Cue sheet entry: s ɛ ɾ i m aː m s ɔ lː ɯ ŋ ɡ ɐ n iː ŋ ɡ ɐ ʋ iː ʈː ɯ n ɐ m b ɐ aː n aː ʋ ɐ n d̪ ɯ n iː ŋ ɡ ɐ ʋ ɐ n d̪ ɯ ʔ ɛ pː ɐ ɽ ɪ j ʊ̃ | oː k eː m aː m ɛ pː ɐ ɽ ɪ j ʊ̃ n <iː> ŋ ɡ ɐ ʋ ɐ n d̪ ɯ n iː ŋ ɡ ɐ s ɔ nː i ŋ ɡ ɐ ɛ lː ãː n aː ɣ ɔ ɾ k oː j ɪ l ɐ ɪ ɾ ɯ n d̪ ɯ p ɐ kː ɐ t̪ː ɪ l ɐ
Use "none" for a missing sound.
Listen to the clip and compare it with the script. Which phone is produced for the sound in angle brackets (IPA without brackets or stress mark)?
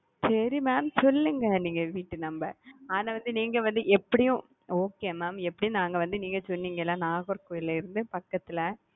aː